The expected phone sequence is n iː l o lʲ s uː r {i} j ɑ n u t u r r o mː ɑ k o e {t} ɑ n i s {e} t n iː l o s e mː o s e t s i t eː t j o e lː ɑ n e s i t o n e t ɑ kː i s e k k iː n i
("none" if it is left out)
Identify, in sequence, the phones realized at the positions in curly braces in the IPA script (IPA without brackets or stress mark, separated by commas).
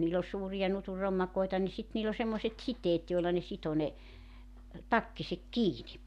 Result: i, t, i